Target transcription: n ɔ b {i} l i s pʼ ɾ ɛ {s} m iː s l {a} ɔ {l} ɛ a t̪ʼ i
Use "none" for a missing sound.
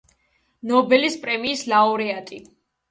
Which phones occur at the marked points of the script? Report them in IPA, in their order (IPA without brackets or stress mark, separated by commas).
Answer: ɛ, none, a, ɾ